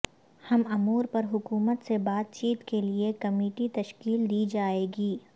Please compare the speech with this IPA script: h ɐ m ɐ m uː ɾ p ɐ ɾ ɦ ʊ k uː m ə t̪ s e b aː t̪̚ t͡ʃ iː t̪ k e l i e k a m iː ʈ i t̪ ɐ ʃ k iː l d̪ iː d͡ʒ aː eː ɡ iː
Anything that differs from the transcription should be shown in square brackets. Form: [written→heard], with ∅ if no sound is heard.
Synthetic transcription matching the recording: h ɐ m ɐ m uː ɾ p ɐ ɾ ɦ ʊ k uː m ə t̪ s e b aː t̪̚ t͡ʃ iː t̪ k e l i e k [a→ɐ] m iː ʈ i t̪ ɐ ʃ k iː l d̪ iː d͡ʒ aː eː ɡ iː